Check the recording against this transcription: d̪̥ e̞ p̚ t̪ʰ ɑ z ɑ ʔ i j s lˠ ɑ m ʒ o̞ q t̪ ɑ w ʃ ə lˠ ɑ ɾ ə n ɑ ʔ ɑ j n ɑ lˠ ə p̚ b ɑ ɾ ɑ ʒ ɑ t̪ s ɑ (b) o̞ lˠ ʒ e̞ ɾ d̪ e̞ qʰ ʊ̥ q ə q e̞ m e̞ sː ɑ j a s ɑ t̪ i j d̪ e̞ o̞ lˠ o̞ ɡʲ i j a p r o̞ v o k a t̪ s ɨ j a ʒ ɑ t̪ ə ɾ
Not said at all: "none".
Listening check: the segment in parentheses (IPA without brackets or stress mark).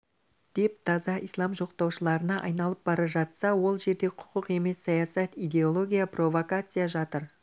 w